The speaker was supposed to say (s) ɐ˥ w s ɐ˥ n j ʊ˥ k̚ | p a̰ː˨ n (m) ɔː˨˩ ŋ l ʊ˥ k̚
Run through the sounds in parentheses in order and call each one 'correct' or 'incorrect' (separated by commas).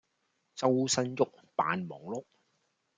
incorrect, correct